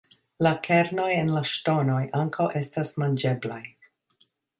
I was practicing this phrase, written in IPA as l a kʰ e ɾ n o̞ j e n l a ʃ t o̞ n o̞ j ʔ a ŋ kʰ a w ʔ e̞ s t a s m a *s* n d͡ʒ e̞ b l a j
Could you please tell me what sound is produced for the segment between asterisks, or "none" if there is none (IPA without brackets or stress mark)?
none